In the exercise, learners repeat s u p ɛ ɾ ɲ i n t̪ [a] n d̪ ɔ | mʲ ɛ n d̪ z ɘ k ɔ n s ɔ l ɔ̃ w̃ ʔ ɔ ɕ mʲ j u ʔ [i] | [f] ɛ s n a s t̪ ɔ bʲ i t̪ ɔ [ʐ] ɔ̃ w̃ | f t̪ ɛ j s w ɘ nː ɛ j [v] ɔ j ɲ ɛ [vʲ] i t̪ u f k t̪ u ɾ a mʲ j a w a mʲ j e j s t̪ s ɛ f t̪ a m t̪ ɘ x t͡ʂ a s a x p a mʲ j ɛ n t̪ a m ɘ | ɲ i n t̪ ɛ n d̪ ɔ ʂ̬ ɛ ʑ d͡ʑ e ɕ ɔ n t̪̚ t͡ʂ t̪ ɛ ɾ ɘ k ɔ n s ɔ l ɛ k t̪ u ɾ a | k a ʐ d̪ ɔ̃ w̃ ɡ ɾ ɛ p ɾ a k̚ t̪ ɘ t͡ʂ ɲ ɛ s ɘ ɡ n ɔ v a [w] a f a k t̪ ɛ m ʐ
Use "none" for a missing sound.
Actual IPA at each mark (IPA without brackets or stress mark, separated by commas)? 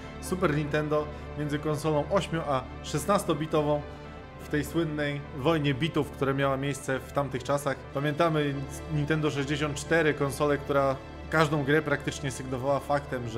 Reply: ɛ, a, ʂ, v, v, bʲ, w